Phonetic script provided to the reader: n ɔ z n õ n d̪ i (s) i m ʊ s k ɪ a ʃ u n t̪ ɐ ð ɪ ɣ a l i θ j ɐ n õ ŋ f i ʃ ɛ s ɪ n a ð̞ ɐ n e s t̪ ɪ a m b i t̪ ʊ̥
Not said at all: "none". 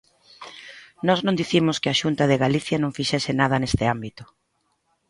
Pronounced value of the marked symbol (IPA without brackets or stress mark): θ